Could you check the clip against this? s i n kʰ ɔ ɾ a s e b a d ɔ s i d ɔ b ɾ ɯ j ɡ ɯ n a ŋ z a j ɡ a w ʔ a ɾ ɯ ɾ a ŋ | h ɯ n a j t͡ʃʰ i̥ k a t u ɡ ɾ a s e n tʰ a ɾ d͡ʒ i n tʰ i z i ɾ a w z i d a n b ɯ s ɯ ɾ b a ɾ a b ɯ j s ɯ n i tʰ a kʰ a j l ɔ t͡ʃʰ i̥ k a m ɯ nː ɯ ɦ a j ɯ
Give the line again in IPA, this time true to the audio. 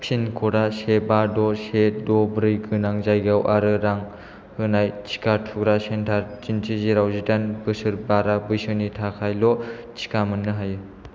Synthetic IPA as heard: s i n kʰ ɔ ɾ a s e b a d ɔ s e d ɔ b ɾ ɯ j ɡ ɯ n a ŋ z a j ɡ a w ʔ a ɾ ɯ ɾ a ŋ | h ɯ n a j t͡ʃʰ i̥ k a tʰ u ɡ ɾ a s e n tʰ a ɾ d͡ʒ i n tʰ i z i ɾ a w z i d a n b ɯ s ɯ ɾ b a ɾ a b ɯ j s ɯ n i tʰ a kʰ a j l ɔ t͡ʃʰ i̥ k a m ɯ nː ɯ ɦ a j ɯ

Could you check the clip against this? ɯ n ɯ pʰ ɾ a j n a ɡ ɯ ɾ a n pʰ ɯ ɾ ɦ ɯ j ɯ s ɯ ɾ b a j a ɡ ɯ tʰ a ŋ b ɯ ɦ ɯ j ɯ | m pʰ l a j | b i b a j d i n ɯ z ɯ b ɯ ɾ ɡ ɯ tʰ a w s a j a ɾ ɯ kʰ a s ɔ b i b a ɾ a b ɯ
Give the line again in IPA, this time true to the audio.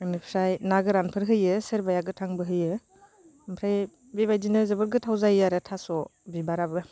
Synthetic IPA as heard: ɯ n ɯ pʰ ɾ a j n a ɡ ɯ ɾ a n pʰ ɯ ɾ ɦ ɯ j ɯ s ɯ ɾ b a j a ɡ ɯ tʰ a ŋ b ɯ ɦ ɯ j ɯ | m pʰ ɾ a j | b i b a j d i n ɯ z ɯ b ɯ ɾ ɡ ɯ tʰ a w z a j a ɾ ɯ tʰ a s ɔ b i b a ɾ a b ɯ

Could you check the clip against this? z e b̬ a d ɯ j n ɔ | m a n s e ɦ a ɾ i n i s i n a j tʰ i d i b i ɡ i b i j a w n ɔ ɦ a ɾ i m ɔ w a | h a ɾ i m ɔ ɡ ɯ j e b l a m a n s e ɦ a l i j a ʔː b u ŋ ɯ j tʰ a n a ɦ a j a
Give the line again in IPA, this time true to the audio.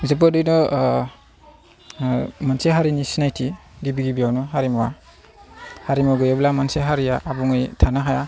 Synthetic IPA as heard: z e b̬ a d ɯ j n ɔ | m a n s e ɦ a ɾ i n i s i n a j tʰ i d i b i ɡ i b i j a w n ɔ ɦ a ɾ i m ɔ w a | h a ɾ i m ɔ ɡ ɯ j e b l a m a n s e ɦ a ɾ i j a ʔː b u ŋ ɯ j tʰ a n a ɦ a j a

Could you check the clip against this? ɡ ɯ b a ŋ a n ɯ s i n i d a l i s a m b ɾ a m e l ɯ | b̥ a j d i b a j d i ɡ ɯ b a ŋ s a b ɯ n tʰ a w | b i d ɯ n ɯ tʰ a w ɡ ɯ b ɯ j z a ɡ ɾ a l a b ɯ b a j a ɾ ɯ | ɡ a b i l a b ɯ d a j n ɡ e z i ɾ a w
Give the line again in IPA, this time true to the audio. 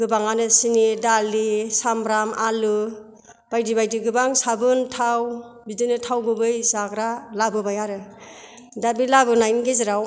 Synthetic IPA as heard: ɡ ɯ b a ŋ a n ɯ s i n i d a l i s a m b ɾ a m a l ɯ | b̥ a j d i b a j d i ɡ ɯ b a ŋ s a b ɯ n tʰ a w | b i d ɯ n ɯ tʰ a w ɡ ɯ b ɯ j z a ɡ ɾ a l a b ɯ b a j a ɾ ɯ | d a b i l a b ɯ n a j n ɡ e z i ɾ a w

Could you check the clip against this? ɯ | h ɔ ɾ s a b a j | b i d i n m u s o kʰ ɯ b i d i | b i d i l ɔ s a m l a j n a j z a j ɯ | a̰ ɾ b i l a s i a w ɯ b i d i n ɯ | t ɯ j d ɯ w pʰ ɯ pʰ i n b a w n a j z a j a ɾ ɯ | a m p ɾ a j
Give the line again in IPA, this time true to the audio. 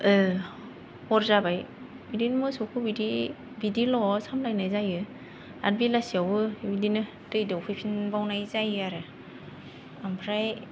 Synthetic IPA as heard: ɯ | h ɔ ɾ z a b a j | b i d i n m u s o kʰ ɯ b i d i | b i d i l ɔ s a m l a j n a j z a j ɯ | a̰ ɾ b i l a s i a w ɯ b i d i n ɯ | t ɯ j d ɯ w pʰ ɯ pʰ i n b a w n a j z a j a ɾ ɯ | a m pʰ ɾ a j

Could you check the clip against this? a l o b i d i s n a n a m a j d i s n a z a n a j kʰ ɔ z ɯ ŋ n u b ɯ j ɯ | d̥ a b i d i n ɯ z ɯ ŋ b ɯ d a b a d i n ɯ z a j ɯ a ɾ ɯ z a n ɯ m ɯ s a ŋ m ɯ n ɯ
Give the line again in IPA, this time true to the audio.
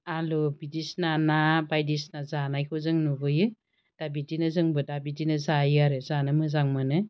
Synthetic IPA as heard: a l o b i d i s n a n a b a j d i s n a z a n a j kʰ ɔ z ɯ ŋ n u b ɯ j ɯ | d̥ a b i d i n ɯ z ɯ ŋ b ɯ d a b i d i n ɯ z a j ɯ a ɾ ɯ z a n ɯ m ɯ z a ŋ m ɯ n ɯ

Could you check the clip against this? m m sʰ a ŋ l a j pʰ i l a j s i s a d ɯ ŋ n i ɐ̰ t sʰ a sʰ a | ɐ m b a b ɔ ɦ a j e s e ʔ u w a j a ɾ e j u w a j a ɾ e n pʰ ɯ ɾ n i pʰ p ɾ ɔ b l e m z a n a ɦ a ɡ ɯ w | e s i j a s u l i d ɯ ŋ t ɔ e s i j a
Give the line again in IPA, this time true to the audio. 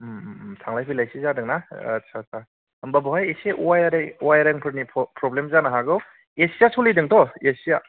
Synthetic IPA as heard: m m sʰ a ŋ l a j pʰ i l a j s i z a d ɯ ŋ n a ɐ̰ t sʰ a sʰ a | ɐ m b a b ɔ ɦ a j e s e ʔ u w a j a ɾ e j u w a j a ɾ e ŋ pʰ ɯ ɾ n i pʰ p ɾ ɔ b l e m z a n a ɦ a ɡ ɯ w | e s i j a s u l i d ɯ ŋ t ɔ e s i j a

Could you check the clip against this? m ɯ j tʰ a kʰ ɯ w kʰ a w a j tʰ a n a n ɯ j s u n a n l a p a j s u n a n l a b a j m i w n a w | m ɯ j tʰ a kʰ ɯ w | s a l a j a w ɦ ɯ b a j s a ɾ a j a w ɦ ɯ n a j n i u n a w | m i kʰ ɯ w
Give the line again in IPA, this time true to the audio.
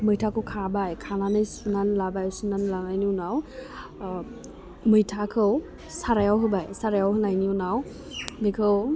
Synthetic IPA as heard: m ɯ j tʰ a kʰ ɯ w kʰ a b a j kʰ a n a n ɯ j s u n a n l a b a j s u n a n l a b a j n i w n a w | m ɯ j tʰ a kʰ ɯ w | s a ɾ a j a w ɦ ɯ b a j s a ɾ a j a w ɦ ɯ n a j n i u n a w | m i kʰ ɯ w

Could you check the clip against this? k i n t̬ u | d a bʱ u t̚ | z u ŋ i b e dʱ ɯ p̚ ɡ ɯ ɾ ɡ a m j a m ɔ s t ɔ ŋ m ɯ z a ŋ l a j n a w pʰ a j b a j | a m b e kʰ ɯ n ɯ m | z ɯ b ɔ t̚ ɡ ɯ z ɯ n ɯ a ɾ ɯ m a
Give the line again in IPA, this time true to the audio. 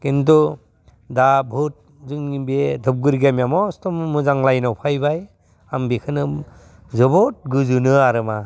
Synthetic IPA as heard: k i n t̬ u | d a bʱ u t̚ | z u ŋ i b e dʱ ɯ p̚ ɡ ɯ ɾ ɡ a m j a m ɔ s t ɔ m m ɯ z a ŋ l a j n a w pʰ a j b a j | a m b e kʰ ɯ n ɯ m | z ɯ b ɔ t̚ ɡ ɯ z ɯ n ɯ a ɾ ɯ m a

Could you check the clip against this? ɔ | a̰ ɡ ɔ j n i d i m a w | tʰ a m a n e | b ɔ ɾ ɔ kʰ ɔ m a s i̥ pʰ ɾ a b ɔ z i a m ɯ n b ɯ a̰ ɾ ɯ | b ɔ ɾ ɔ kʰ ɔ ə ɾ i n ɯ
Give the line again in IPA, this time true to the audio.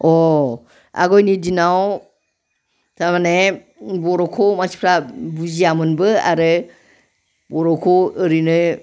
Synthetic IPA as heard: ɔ | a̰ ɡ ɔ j n i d i n a w | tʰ a m a n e | b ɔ ɾ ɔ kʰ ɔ m a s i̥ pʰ ɾ a b u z i a m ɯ n b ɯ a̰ ɾ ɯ | b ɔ ɾ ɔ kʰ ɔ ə ɾ i n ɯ

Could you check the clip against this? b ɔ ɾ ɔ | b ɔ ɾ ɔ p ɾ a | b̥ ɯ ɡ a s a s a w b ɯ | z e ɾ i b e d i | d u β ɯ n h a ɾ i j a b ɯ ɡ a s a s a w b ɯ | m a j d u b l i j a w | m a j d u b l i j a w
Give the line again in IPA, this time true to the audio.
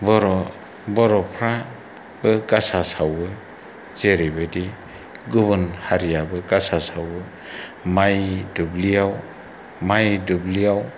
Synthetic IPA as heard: b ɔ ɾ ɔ | b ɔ ɾ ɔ pʰ ɾ a | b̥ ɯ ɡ a s a s a w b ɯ | z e ɾ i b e d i | ɡ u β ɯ n h a ɾ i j a b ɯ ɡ a s a s a w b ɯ | m a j d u b l i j a w | m a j d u b l i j a w

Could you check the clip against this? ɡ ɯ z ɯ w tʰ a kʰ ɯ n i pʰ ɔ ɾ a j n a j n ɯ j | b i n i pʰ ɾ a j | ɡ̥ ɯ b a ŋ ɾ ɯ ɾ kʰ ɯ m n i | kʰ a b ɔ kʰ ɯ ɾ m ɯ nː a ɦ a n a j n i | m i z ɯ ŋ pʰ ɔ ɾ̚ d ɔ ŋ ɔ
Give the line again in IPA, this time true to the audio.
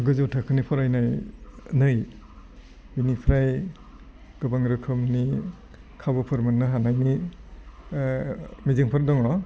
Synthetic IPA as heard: ɡ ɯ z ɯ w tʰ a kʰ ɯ n i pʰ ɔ ɾ a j n a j n ɯ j | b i n i pʰ ɾ a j | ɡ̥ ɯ b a ŋ ɾ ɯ kʰ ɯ m n i | kʰ a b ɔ pʰ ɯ ɾ m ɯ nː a ɦ a n a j n i | m i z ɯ ŋ pʰ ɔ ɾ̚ d ɔ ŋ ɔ

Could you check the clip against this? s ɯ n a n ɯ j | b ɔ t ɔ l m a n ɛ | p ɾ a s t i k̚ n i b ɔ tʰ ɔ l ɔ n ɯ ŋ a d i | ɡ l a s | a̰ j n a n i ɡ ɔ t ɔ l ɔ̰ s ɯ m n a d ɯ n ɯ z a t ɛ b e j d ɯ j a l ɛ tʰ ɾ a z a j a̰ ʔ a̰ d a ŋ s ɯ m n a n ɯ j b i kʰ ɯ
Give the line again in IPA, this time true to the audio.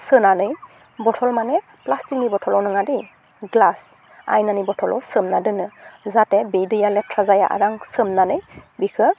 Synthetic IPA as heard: s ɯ n a n ɯ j | b ɔ tʰ ɔ l m a n ɛ | p l a s t i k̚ n i b ɔ tʰ ɔ l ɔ n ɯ ŋ a d i | ɡ l a s | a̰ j n a n i b ɔ tʰ ɔ l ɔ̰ s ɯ m n a d ɯ n ɯ z a t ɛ b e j d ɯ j a l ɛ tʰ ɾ a z a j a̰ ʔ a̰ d a ŋ s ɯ m n a n ɯ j b i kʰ ɯ

